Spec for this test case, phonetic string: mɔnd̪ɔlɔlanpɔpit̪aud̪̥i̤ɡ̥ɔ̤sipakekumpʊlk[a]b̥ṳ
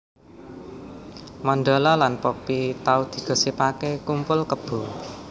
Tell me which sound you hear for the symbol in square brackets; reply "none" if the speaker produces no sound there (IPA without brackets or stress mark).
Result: ə